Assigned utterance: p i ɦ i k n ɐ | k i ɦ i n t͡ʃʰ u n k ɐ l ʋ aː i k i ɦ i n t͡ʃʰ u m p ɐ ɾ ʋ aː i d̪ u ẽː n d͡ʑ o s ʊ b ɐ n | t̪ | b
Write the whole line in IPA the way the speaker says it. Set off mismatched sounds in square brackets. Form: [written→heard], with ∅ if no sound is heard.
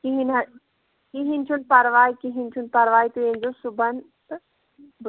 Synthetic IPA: [p→k] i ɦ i [k→∅] n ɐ | k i ɦ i n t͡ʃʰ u n [k→p] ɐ [l→ɾ] ʋ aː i k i ɦ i n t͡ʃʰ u [m→n] p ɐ ɾ ʋ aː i [d̪→t̪] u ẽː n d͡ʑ o s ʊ b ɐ n | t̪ | b